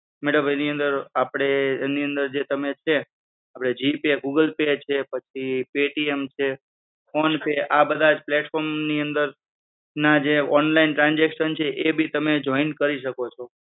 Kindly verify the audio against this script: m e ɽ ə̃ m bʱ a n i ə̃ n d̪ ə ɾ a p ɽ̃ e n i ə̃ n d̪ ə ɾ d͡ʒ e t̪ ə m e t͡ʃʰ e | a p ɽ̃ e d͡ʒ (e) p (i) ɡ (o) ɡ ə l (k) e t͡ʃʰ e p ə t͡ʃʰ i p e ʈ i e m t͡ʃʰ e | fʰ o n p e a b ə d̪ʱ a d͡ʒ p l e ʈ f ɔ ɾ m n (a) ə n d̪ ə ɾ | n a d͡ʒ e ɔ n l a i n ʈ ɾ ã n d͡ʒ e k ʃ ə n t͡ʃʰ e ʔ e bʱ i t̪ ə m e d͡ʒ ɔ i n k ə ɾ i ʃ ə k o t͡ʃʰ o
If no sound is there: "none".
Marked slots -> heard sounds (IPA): i, e, u, p, i

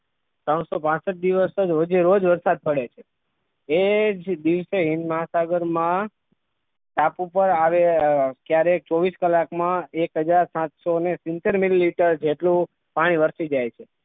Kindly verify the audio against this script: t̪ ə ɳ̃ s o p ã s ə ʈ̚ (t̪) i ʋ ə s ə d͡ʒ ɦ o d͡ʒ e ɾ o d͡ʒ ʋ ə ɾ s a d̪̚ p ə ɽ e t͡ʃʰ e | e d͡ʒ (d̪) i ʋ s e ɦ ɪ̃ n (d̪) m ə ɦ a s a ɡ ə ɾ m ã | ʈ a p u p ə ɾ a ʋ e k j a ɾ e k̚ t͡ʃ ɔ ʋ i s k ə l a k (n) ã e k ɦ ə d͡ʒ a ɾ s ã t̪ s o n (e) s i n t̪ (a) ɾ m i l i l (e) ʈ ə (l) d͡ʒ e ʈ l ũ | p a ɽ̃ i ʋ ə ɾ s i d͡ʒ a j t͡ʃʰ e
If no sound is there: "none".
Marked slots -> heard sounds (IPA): d̪, d̪, d̪, m, e, e, i, ɾ

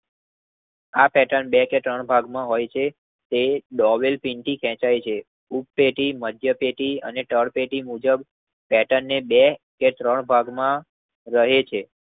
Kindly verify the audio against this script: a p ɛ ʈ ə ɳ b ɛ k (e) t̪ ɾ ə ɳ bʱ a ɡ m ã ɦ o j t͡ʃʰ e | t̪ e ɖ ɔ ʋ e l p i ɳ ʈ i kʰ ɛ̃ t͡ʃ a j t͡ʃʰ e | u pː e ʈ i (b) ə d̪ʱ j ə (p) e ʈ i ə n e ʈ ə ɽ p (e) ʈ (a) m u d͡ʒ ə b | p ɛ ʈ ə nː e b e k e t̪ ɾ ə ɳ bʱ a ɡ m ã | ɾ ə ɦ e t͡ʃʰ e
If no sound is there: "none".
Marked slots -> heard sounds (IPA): e, m, p, e, i

